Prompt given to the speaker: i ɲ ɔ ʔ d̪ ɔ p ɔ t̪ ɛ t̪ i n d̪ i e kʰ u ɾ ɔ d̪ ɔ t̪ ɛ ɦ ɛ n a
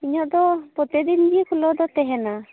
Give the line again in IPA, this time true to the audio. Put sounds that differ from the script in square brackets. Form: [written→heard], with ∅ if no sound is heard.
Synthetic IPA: i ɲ ɔ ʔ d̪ ɔ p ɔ t̪ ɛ [t̪→d̪] i n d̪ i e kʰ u [ɾ→l] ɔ d̪ ɔ t̪ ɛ ɦ ɛ n a